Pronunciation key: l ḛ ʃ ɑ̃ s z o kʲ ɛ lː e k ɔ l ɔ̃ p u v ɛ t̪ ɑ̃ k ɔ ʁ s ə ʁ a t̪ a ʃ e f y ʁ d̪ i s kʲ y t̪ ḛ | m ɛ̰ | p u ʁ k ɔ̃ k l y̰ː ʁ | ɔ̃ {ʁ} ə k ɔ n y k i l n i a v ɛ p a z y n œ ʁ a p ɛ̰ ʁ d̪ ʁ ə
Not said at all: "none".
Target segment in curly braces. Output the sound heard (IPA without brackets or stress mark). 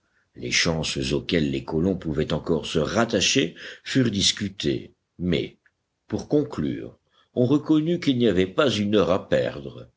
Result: ʁ